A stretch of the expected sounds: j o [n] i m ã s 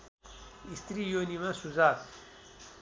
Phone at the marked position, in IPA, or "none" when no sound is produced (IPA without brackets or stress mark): n